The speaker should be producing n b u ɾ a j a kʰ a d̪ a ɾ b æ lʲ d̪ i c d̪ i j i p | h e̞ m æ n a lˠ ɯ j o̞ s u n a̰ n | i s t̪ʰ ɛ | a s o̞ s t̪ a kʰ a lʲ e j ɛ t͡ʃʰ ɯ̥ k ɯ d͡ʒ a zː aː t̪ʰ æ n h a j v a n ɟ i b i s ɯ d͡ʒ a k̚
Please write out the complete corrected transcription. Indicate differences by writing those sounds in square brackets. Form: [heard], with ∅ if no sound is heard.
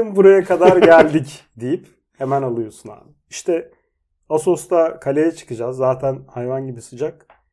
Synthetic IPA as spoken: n b u ɾ a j a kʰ a d̪ a ɾ [ɟ] æ lʲ d̪ i c d̪ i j i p | h e̞ m æ n a lˠ ɯ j o̞ s u n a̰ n | i [ʃ] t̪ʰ ɛ | a s o̞ s t̪ a kʰ a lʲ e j ɛ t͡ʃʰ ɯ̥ k ɯ d͡ʒ a zː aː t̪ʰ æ n h a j v a n ɟ i b i s ɯ d͡ʒ a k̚